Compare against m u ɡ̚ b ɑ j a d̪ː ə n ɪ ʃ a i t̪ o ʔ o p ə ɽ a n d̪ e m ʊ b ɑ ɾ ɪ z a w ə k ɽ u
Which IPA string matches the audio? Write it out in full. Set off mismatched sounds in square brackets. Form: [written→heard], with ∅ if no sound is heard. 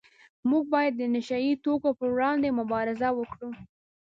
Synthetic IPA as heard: m u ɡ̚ b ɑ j a d̪ː ə n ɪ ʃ a i t̪ o [ʔ→k] o p ə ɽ [a→ɑ] n d̪ e m ʊ b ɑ ɾ ɪ z a w ə k ɽ u